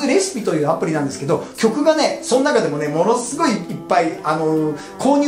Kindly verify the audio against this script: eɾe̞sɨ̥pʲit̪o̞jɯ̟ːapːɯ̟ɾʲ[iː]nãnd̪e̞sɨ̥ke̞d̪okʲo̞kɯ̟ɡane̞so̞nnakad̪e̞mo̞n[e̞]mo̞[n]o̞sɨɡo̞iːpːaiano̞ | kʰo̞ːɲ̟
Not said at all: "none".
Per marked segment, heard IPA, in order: i, e̞, n

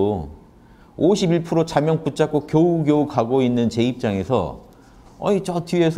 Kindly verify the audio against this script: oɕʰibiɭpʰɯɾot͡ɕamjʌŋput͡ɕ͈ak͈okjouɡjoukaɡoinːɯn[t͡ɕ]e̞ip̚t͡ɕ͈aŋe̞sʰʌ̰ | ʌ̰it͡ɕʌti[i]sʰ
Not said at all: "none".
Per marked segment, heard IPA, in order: t͡ɕ, e

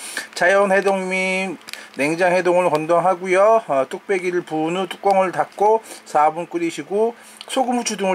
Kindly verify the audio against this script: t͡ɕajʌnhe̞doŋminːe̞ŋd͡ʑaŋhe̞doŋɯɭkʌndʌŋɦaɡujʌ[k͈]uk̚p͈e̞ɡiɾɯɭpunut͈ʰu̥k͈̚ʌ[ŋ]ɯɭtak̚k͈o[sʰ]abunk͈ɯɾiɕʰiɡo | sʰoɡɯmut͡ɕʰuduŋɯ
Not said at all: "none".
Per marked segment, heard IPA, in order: t͈, ŋ, sʰ

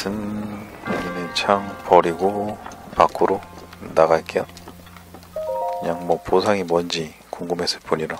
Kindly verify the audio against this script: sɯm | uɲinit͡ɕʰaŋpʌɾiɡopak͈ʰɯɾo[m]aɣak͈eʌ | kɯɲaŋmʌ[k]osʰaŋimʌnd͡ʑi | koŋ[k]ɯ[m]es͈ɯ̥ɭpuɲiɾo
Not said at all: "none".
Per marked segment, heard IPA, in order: n, p, ɡ, m

